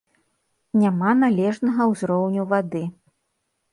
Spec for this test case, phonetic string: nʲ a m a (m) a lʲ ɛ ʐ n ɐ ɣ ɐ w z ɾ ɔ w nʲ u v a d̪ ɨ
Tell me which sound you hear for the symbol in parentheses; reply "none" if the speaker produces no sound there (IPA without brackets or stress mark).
n